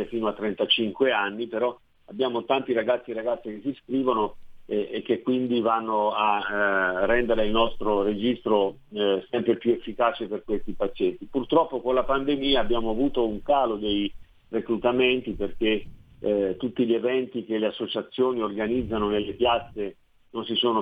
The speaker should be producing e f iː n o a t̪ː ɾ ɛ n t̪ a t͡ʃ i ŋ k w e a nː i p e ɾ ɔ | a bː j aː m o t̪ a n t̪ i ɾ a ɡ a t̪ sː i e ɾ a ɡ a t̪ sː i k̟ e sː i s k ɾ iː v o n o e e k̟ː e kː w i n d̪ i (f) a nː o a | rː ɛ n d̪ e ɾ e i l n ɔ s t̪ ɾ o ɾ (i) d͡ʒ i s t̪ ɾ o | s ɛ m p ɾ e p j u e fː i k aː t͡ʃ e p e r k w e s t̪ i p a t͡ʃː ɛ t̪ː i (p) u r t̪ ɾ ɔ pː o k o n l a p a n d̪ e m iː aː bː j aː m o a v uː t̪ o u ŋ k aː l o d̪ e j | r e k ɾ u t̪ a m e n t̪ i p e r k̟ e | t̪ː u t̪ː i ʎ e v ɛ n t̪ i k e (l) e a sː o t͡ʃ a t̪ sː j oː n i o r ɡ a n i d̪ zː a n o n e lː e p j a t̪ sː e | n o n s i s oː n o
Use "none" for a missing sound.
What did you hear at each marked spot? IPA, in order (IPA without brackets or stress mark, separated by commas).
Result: v, e, p, l